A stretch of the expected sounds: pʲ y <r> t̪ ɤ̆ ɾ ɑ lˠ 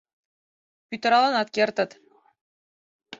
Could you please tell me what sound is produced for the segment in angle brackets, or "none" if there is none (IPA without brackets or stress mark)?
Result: none